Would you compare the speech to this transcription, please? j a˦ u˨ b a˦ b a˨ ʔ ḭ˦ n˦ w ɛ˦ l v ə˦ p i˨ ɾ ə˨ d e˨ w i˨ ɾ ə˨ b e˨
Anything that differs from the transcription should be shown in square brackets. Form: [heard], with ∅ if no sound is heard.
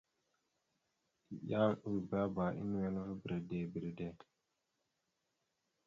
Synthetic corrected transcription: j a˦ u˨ b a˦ b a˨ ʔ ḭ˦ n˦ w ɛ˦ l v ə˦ [b] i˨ ɾ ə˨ d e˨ [b] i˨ ɾ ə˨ [d] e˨